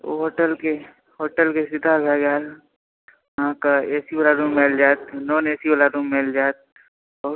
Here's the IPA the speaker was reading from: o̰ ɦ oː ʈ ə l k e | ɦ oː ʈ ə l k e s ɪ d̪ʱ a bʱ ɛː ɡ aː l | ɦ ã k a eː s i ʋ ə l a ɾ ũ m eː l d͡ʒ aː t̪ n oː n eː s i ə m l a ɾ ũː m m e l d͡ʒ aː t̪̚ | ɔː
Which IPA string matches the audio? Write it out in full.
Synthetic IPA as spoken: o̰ ɦ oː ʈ ə l k e | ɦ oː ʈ ə l k e s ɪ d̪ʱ a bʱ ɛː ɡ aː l | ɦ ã k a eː s i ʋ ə l a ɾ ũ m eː l d͡ʒ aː t̪ n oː n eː s i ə l a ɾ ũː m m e l d͡ʒ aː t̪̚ | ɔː

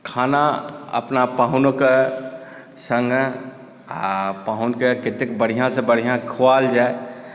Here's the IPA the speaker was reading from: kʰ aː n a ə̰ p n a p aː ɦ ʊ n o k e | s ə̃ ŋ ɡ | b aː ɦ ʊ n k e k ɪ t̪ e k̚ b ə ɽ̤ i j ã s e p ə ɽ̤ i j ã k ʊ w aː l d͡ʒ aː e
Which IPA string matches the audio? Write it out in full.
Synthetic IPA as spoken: kʰ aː n a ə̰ p n a p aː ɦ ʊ n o k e | s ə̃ ŋ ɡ | p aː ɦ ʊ n k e k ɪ t̪ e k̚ b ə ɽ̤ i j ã s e b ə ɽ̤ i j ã kʰ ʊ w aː l d͡ʒ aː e

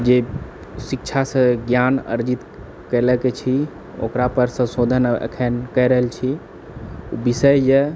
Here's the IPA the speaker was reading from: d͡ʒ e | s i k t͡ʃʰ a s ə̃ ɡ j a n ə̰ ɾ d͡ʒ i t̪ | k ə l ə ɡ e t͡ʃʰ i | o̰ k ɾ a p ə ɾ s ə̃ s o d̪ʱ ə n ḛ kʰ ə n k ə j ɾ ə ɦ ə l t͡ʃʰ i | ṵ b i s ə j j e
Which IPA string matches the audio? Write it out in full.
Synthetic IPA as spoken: d͡ʒ e | s i k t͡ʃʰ a s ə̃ ɡ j a n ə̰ ɾ d͡ʒ i t̪ | k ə l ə k e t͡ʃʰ i | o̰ k ɾ a p ə ɾ s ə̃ s o d̪ʱ ə n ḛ kʰ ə n k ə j ɾ ə ɦ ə l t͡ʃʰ i | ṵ b i s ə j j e

